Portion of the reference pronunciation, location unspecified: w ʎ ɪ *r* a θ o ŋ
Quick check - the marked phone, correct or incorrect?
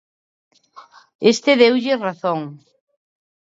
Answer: correct